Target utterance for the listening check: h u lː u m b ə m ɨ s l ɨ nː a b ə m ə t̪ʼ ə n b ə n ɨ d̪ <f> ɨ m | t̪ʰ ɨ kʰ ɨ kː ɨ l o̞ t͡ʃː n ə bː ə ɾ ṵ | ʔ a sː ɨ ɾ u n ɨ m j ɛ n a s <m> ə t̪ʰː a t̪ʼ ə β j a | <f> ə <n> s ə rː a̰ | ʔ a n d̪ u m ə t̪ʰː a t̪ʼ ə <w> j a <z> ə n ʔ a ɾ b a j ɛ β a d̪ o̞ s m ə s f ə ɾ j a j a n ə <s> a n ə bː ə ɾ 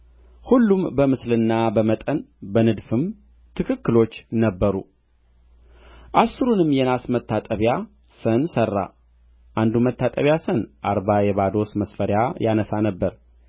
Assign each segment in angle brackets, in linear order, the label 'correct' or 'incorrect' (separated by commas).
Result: correct, correct, incorrect, correct, incorrect, incorrect, correct